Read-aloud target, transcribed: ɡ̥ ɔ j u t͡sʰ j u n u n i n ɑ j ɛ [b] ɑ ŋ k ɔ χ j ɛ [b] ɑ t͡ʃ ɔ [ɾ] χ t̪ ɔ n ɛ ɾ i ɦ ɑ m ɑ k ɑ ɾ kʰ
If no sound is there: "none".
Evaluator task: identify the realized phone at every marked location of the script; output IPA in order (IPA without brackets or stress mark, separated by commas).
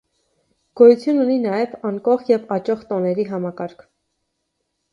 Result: v, v, none